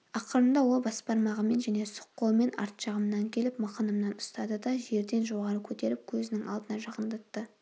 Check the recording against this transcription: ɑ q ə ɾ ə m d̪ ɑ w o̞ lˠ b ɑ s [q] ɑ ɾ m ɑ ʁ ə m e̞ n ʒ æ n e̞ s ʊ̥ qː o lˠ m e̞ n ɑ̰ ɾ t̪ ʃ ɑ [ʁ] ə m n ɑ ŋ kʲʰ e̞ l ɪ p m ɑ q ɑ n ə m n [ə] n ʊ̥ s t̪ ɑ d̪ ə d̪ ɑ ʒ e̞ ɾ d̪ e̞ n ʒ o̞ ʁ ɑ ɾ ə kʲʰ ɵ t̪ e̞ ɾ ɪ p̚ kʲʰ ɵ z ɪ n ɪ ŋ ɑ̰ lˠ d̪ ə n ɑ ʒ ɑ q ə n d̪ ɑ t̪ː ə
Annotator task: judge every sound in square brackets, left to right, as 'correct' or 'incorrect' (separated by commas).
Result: incorrect, correct, incorrect